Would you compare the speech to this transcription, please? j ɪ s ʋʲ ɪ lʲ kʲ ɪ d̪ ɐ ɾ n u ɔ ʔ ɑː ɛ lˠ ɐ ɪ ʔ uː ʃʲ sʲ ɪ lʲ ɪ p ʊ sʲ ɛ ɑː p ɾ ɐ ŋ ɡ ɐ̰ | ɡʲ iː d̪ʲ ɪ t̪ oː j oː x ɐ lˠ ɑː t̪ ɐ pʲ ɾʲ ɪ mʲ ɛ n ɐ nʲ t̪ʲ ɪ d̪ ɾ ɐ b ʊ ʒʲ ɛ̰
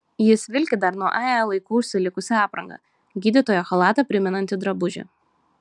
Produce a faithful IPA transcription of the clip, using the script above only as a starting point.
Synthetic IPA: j ɪ s ʋʲ ɪ lʲ kʲ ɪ d̪ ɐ ɾ n u ɔ ʔ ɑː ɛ lˠ ɐ ɪ k uː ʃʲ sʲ ɪ lʲ ɪ k ʊ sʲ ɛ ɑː p ɾ ɐ ŋ ɡ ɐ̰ | ɡʲ iː d̪ʲ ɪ t̪ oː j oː x ɐ lˠ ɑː t̪ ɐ pʲ ɾʲ ɪ mʲ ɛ n ɐ nʲ t̪ʲ ɪ d̪ ɾ ɐ b ʊ ʒʲ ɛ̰